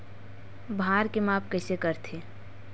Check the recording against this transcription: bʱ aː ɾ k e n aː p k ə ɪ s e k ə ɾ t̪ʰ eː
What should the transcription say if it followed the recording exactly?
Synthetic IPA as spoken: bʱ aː ɾ k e m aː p k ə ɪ s e k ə ɾ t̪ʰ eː